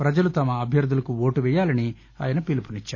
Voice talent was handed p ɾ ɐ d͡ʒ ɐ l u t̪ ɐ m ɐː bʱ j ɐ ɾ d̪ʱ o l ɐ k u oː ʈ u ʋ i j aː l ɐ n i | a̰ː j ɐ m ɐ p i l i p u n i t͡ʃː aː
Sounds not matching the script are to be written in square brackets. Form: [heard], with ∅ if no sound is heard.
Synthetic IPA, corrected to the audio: p ɾ ɐ d͡ʒ ɐ l u t̪ ɐ m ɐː bʱ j ɐ ɾ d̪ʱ [u] l ɐ k u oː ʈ u ʋ [ɛ] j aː l ɐ n i | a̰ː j ɐ [n] ɐ p i l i p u n i t͡ʃː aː

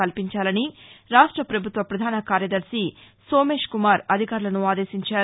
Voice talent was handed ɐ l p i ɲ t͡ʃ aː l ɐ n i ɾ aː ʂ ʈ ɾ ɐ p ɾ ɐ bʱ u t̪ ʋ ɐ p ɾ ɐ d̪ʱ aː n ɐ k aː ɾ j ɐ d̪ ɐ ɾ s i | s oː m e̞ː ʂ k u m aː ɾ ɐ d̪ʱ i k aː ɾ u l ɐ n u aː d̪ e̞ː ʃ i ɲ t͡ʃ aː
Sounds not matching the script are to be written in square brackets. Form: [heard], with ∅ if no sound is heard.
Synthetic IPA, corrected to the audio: ɐ l p i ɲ t͡ʃ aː l ɐ n i ɾ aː ʂ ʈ ɾ ɐ p ɾ ɐ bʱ u t̪ ʋ ɐ p ɾ ɐ d̪ʱ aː n ɐ k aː ɾ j ɐ d̪ ɐ ɾ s i | s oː m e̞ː ʂ k u m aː ɾ ɐ d̪ʱ i k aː ɾ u l ɐ n u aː d̪ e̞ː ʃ i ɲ t͡ʃ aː

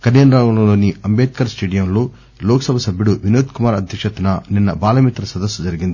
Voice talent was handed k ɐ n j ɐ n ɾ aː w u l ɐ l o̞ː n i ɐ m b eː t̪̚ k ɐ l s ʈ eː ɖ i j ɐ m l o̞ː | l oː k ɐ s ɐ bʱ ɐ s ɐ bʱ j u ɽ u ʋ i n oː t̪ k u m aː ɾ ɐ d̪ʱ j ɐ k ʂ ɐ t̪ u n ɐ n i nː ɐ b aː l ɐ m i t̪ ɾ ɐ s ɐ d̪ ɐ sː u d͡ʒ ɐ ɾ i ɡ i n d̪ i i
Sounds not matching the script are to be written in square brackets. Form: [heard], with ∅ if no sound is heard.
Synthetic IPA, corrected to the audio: k ɐ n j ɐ n ɾ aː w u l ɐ l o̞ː n i ɐ m b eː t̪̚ k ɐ [ɾ] s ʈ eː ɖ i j ɐ m l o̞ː | l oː k ɐ s ɐ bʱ ɐ s ɐ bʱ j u ɽ u ʋ i n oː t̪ k u m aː ɾ ɐ d̪ʱ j ɐ k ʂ ɐ t̪ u n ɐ n i nː ɐ b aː l ɐ m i t̪ ɾ ɐ s ɐ d̪ ɐ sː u d͡ʒ ɐ ɾ i ɡ i n d̪ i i

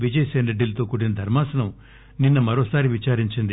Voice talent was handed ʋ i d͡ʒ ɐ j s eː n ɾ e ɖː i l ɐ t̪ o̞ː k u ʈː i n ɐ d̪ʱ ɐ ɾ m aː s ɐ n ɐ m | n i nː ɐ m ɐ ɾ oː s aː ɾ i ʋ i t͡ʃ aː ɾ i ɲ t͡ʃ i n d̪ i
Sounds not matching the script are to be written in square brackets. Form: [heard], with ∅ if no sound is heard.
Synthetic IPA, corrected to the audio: ʋ i d͡ʒ ɐ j s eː n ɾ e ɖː i l ɐ t̪ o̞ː k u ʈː i n ɐ d̪ʱ ɐ ɾ m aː s ɐ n ɐ m | n i nː ɐ m ɐ ɾ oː s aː ɾ i ʋ i t͡ʃ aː ɾ i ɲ t͡ʃ i n d̪ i

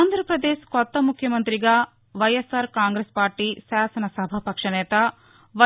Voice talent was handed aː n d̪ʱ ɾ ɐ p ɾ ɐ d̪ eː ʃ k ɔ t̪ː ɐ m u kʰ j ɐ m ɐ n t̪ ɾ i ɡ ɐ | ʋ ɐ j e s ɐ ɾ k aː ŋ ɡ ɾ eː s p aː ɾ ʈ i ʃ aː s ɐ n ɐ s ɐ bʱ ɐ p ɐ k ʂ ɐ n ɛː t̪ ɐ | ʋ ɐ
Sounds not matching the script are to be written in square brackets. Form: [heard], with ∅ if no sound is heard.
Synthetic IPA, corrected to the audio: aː n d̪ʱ ɾ ɐ p ɾ ɐ d̪ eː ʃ k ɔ t̪ː ɐ m u kʰ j ɐ m ɐ n t̪ ɾ i ɡ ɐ | ʋ ɐ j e s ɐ ɾ k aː ŋ ɡ ɾ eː s p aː ɾ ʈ i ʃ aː s ɐ n ɐ s ɐ bʱ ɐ p ɐ k ʂ ɐ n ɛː t̪ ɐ | ʋ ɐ

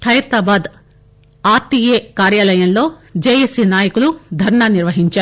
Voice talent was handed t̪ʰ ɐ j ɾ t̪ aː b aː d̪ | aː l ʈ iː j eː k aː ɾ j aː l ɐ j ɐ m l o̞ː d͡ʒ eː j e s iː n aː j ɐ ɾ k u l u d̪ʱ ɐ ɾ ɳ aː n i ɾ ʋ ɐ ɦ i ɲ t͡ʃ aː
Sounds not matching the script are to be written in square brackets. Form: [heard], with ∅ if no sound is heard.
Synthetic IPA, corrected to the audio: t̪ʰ ɐ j ɾ t̪ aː b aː d̪ | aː [ɾ] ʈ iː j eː k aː ɾ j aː l ɐ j ɐ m l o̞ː d͡ʒ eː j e s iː n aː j ɐ [∅] k u l u d̪ʱ ɐ ɾ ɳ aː n i ɾ ʋ ɐ ɦ i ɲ t͡ʃ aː

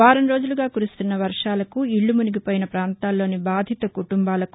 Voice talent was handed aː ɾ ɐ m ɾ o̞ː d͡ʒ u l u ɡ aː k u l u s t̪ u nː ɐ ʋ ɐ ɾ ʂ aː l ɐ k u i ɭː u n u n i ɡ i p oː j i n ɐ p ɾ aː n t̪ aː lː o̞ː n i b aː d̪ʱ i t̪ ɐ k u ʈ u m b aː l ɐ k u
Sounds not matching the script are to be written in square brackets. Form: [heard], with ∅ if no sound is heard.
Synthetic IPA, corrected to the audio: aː ɾ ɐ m ɾ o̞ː d͡ʒ u l u ɡ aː k u [ɾ] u s t̪ u nː ɐ ʋ ɐ ɾ ʂ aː l ɐ k u i ɭː u [m] u n i ɡ i p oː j i n ɐ p ɾ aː n t̪ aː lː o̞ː n i b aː d̪ʱ i t̪ ɐ k u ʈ u m b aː l ɐ k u

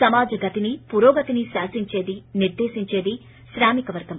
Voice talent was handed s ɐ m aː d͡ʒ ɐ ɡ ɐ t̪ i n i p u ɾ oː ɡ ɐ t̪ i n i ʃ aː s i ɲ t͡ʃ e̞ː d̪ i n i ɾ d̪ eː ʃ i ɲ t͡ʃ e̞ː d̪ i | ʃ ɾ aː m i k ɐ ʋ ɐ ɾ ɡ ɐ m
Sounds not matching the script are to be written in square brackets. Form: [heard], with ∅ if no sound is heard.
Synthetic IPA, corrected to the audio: s ɐ m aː d͡ʒ ɐ ɡ ɐ t̪ i n i p u ɾ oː ɡ ɐ t̪ i n i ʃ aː s i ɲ t͡ʃ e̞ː d̪ i n i ɾ d̪ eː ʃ i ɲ t͡ʃ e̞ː d̪ i | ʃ ɾ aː m i k ɐ ʋ ɐ ɾ ɡ ɐ m

